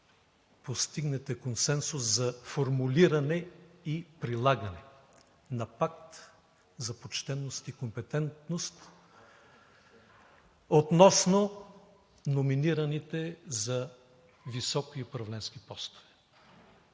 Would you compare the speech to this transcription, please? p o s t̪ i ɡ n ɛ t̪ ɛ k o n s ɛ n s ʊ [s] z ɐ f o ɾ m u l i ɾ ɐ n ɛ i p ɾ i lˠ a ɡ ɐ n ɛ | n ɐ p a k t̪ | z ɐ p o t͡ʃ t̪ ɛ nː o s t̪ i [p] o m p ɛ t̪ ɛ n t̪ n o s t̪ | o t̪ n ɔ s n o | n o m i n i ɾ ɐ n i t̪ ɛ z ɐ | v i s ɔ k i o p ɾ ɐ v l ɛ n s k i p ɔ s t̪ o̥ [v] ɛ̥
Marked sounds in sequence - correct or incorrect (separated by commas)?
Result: correct, incorrect, correct